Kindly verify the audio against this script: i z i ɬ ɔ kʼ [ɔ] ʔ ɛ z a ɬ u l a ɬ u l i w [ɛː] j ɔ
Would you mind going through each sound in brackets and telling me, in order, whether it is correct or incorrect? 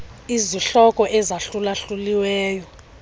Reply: correct, correct

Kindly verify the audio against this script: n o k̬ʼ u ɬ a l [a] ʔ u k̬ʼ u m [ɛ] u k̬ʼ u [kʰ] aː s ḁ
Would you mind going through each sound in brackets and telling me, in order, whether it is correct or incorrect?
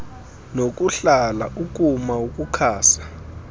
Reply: correct, incorrect: a, correct

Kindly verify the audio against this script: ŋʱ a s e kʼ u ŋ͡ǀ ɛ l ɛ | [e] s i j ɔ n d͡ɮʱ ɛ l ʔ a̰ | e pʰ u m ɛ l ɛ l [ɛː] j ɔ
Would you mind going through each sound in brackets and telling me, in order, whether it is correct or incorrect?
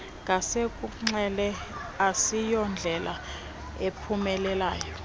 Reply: incorrect: a, incorrect: aː

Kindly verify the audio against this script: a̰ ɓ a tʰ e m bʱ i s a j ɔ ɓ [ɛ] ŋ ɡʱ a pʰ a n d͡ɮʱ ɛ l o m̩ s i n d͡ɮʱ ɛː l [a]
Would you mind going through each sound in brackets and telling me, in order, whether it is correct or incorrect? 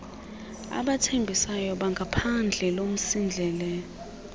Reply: incorrect: a, incorrect: ɛ

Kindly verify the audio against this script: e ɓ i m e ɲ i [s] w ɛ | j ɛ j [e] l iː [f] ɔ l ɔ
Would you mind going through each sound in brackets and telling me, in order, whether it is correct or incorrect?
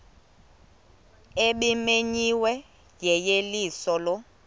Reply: incorrect: none, correct, incorrect: s

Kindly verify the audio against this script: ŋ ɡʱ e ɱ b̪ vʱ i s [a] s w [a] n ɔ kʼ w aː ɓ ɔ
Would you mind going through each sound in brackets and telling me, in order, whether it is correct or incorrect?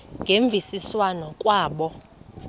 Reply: incorrect: i, correct

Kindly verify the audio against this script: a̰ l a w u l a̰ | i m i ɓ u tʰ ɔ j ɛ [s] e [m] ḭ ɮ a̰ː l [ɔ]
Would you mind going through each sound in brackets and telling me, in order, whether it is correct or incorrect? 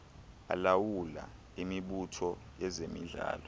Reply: incorrect: z, correct, correct

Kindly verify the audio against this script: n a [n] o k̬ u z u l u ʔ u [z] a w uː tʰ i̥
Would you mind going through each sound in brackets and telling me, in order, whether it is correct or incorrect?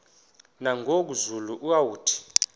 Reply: incorrect: ŋ, incorrect: none

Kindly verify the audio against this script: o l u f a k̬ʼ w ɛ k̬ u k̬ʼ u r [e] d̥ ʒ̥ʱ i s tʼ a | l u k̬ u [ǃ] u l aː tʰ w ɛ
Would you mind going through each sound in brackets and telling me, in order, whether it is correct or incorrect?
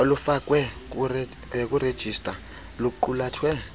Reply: correct, correct

